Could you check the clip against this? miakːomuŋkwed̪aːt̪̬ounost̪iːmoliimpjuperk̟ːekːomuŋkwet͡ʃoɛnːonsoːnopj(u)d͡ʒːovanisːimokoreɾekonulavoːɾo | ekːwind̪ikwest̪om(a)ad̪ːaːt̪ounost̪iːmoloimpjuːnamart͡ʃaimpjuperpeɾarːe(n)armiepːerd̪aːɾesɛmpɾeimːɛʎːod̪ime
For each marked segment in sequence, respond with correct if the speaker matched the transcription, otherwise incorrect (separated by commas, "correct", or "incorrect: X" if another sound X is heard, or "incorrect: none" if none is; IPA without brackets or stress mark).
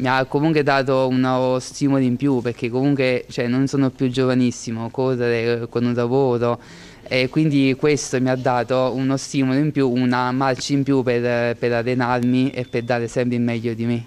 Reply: correct, incorrect: i, correct